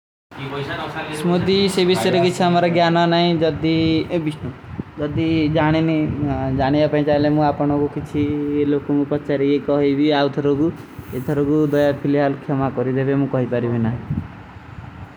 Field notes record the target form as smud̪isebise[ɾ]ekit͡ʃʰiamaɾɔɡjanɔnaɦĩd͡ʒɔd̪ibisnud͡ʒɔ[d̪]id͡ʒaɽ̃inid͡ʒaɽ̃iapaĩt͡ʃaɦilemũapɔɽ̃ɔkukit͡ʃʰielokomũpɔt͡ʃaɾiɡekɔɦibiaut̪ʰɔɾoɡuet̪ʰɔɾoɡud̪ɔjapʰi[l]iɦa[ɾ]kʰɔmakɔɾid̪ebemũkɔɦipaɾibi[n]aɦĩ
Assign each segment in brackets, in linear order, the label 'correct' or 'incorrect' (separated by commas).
correct, correct, correct, incorrect, correct